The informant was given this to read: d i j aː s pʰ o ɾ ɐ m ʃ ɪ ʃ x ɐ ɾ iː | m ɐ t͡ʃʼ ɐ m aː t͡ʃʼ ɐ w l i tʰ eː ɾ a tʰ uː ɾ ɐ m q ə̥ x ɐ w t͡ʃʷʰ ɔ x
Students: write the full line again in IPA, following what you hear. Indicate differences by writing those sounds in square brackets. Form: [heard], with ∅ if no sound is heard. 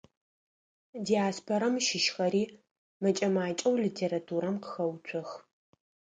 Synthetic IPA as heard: d i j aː s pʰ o ɾ ɐ m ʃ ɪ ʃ x ɐ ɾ iː | m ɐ t͡ʃʼ ɐ m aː t͡ʃʼ ɐ w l i tʰ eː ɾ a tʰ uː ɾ ɐ m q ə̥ x ɐ w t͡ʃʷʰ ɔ x